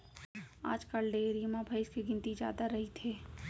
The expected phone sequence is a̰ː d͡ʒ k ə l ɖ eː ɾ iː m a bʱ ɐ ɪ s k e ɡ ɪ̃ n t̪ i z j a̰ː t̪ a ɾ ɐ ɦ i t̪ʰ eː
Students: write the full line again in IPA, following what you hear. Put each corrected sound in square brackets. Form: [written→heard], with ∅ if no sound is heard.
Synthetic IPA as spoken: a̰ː d͡ʒ k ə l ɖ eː ɾ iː m a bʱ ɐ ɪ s k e ɡ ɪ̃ n t̪ i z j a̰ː [t̪→d̪] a ɾ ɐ ɦ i t̪ʰ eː